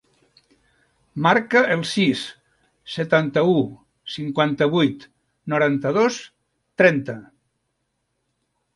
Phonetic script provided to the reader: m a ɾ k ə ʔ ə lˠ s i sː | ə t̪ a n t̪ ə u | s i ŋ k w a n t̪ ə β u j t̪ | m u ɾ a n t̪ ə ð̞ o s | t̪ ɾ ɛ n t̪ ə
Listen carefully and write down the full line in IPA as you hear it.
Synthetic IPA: m a ɾ k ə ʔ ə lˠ s i sː | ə t̪ a n t̪ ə u | s i ŋ k w a n t̪ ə β u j t̪ | n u ɾ a n t̪ ə ð̞ o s | t̪ ɾ ɛ n t̪ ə